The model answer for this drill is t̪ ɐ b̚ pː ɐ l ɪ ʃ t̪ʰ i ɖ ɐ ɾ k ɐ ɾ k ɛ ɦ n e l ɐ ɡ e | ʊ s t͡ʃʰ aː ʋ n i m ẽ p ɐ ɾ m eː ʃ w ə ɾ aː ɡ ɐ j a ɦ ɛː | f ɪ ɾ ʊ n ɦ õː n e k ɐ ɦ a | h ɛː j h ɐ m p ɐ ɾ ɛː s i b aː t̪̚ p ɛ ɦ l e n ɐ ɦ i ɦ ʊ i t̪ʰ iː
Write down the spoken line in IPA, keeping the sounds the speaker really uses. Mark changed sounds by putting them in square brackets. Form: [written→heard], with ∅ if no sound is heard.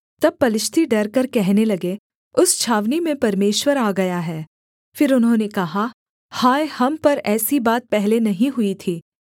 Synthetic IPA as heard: t̪ ɐ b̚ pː ɐ l ɪ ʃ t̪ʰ i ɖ ɐ ɾ k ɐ ɾ k ɛ ɦ n e l ɐ ɡ e | ʊ s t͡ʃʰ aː ʋ n i m ẽ p ɐ ɾ m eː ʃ w ə ɾ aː ɡ ɐ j a ɦ ɛː | f ɪ ɾ ʊ n ɦ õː n e k ɐ ɦ a | h [ɛː→aː] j h ɐ m p ɐ ɾ ɛː s i b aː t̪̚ p ɛ ɦ l e n ɐ ɦ [i→ĩ] ɦ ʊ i t̪ʰ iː